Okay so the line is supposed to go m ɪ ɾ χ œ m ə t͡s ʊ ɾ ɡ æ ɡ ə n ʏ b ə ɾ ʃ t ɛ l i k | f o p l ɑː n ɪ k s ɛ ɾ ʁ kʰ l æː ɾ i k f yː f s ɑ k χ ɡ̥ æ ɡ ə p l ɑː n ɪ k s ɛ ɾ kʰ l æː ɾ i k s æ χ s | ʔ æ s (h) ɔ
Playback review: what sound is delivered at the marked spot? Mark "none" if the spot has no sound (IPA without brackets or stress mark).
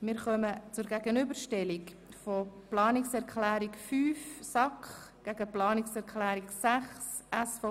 f